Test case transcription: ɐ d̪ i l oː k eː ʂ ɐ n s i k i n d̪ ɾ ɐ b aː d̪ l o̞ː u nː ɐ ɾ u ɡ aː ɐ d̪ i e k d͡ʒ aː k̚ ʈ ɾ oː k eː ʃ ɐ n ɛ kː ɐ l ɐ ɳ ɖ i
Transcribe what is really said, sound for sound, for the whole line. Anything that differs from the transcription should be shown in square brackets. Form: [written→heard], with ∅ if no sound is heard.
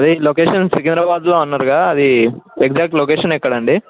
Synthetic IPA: ɐ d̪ i l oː k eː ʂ ɐ n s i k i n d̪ ɾ ɐ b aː d̪ l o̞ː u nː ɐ ɾ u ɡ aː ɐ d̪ i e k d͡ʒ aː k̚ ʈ [ɾ→l] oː k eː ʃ ɐ n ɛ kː ɐ [l→ɽ] ɐ ɳ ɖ i